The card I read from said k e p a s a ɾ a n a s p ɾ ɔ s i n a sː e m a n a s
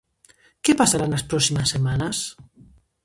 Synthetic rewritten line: k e p a s a ɾ a n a s p ɾ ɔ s i m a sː e m a n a s